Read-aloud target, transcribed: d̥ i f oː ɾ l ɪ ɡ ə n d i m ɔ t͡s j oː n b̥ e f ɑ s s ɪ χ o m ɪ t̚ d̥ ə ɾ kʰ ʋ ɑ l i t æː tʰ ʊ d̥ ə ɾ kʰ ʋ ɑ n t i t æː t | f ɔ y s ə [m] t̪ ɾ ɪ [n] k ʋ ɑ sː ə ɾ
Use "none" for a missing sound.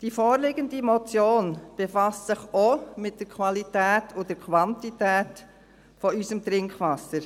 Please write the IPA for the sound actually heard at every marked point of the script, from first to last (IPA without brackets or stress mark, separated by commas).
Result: m, ŋ